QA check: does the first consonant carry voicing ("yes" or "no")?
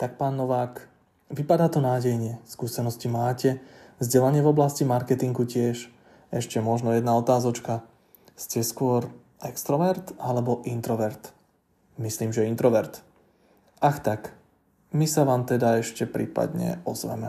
no